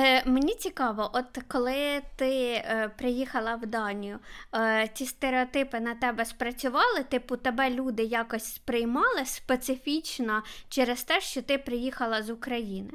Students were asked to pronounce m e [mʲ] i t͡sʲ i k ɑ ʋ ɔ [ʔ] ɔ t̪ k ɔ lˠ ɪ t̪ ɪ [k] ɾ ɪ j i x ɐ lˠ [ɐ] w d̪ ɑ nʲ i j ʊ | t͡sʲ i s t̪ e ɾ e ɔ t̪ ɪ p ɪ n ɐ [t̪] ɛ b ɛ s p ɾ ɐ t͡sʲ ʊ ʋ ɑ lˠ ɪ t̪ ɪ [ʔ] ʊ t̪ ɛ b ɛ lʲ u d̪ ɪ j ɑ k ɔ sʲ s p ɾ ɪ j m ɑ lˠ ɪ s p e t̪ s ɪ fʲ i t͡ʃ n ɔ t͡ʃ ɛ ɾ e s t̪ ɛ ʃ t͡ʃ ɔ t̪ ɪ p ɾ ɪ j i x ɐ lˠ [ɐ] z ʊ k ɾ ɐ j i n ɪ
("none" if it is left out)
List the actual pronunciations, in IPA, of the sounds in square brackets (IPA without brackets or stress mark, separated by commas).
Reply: nʲ, ʔ, p, ɐ, t̪, p, ɐ